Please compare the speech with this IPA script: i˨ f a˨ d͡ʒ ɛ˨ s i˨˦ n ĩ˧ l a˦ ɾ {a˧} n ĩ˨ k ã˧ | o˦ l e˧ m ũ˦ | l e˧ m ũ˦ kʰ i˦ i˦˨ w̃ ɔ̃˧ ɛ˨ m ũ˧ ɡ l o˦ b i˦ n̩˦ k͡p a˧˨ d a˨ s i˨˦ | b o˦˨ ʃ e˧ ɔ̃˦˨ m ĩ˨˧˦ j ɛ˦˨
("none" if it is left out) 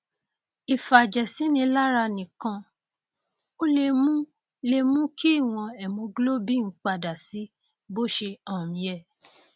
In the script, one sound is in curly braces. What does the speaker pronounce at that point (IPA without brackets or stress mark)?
a˧